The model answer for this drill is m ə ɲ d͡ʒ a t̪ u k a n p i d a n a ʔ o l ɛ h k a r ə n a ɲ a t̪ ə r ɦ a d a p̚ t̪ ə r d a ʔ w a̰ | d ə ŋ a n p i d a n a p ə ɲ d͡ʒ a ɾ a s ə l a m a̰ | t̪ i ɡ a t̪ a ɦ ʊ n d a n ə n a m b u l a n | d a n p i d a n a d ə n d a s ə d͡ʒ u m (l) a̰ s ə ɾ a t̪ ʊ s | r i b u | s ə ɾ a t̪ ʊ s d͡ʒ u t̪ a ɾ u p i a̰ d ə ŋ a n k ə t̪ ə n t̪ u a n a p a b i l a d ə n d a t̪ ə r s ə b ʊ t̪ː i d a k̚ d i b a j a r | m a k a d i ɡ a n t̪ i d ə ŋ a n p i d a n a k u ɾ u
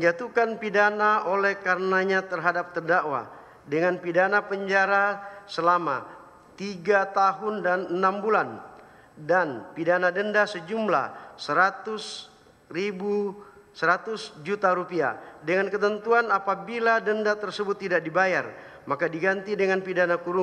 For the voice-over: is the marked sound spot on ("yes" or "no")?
yes